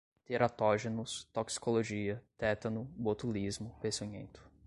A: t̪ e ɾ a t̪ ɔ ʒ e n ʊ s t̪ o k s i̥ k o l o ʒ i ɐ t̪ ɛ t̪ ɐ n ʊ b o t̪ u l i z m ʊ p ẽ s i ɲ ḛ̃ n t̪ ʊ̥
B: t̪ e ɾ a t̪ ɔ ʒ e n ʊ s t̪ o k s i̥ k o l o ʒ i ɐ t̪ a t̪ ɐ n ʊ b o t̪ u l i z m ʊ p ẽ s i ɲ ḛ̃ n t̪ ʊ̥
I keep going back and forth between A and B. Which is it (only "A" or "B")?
A